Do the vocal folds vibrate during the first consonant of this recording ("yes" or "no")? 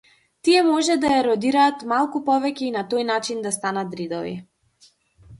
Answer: no